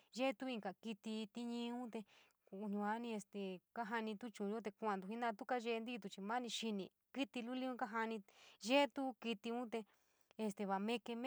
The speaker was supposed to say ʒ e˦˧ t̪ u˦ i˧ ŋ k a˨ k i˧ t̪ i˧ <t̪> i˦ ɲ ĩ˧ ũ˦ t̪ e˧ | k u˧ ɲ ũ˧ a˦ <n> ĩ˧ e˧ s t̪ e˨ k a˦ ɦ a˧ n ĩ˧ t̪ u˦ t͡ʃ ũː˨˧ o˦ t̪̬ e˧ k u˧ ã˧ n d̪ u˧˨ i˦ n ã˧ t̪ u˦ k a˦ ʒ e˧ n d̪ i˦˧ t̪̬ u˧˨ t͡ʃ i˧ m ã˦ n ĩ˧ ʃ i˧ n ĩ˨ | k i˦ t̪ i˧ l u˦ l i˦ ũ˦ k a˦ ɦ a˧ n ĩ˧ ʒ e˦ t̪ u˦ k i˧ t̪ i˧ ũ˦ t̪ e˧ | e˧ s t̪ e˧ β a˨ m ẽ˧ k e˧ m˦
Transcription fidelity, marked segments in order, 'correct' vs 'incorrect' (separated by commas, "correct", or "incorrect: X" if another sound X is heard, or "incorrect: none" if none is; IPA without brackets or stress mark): correct, correct